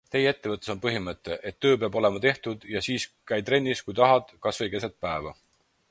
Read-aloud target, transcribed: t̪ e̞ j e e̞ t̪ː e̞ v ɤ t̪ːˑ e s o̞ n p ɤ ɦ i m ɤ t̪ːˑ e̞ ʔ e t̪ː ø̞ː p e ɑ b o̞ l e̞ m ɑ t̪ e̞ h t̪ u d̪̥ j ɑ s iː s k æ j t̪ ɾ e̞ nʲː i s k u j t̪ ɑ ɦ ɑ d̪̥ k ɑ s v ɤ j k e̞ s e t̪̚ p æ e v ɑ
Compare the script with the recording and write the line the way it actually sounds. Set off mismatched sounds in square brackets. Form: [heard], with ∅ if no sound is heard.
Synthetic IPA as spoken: t̪ e̞ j e e̞ t̪ː e̞ v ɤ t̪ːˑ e s o̞ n p ɤ ɦ i m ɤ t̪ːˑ e̞ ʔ e t̪ː ø̞ː p e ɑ b o̞ l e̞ m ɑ t̪ e̞ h t̪ u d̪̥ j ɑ s iː s k æ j t̪ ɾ e̞ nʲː i s k u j t̪ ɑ ɦ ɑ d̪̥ k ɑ s v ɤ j k e̞ s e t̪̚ p æ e v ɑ

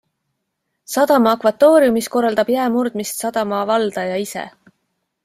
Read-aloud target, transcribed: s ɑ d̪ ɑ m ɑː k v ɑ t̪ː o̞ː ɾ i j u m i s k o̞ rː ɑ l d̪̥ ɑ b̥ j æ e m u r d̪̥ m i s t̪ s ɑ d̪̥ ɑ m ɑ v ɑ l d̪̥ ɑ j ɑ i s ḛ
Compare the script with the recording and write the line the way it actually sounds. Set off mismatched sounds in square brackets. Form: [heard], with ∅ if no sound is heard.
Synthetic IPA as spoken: s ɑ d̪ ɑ m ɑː k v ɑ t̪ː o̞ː ɾ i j u m i s k o̞ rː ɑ l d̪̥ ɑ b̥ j æ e m u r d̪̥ m i s t̪ s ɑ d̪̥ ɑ m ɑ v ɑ l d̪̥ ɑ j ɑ i s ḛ

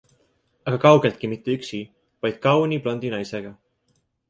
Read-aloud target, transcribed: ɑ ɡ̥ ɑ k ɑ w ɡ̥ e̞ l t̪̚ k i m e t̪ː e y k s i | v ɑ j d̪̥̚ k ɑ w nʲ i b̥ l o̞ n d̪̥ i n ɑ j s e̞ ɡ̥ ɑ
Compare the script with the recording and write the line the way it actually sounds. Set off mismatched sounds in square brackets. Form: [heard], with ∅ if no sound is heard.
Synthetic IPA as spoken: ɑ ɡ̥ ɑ k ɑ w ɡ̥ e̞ l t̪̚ k i m [i] t̪ː e y k s i | v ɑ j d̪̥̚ k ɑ w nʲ i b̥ l o̞ n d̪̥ i n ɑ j s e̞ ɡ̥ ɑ

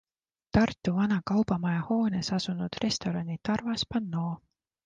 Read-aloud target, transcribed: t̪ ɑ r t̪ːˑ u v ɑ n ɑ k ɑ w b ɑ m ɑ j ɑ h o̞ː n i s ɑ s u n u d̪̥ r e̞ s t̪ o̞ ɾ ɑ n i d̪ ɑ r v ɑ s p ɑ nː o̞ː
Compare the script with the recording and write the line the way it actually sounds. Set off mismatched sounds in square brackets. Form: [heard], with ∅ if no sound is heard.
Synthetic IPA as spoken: t̪ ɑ r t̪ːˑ u v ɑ n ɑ k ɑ w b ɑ m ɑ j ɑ h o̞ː n [e] s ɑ s u n u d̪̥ r e̞ s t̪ o̞ ɾ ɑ n i [t̪] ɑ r v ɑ s p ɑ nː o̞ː

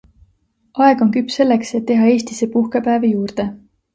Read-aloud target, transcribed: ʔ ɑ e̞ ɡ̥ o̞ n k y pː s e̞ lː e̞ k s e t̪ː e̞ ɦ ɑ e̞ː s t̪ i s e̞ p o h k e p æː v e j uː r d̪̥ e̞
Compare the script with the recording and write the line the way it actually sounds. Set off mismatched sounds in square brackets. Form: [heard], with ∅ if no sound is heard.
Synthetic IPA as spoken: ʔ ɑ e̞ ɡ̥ o̞ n k y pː s e̞ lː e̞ k s e t̪ː e̞ ɦ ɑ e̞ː s t̪ i s e̞ p [u] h k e p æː v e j uː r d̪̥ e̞

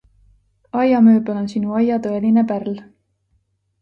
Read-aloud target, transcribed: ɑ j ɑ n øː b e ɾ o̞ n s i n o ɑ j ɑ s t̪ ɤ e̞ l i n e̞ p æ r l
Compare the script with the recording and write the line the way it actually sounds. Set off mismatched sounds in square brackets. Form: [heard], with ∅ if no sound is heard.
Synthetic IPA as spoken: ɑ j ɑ [m] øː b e [l] o̞ n s i n [u] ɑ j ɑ [∅] t̪ ɤ e̞ l i n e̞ p æ r l

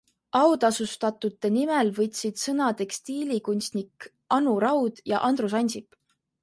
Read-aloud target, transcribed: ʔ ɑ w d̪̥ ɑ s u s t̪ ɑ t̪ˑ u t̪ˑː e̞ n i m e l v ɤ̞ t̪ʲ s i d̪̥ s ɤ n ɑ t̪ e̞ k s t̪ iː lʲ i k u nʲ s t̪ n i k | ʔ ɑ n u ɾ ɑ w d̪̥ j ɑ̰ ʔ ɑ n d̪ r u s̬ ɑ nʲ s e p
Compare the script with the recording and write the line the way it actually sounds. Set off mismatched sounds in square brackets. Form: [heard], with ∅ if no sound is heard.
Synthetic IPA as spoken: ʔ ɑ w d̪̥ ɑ s u s t̪ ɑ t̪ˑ u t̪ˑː e̞ n i m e l v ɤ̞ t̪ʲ s i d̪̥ s ɤ n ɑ t̪ e̞ k s t̪ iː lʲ i k u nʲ s t̪ n i k | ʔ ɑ n u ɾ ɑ w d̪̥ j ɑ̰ ʔ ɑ n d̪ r u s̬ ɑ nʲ s [i] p

